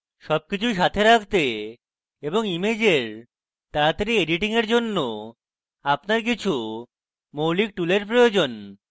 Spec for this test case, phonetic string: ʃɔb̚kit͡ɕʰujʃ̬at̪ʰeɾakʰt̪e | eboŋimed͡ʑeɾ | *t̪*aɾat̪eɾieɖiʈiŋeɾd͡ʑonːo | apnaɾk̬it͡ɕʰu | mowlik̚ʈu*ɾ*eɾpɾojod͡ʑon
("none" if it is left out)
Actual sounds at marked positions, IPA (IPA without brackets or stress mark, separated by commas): t̪, l